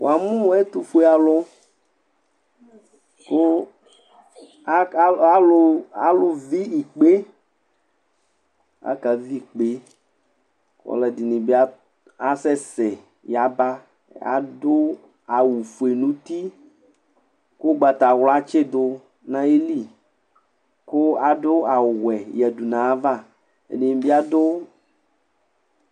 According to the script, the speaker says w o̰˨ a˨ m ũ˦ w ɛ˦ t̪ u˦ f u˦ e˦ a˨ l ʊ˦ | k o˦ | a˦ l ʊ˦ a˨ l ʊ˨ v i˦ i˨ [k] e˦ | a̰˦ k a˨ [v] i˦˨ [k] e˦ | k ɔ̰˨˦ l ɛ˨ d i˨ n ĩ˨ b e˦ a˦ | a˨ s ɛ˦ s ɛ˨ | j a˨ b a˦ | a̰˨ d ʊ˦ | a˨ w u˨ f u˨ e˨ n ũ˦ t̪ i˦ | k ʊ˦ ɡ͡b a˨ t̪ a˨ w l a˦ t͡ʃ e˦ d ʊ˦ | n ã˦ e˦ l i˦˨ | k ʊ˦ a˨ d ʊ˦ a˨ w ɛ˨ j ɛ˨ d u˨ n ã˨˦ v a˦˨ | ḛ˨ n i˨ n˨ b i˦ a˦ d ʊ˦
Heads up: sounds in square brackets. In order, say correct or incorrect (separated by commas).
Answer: incorrect, correct, incorrect